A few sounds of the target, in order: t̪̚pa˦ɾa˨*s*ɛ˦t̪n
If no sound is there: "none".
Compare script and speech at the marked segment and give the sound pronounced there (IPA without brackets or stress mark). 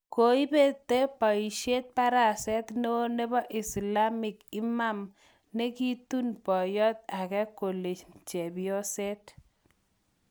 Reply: s